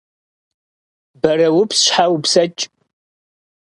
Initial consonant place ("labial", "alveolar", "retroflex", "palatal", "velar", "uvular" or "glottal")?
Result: labial